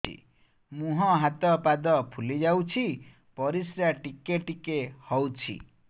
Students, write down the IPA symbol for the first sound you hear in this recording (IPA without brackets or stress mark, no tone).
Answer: ḭ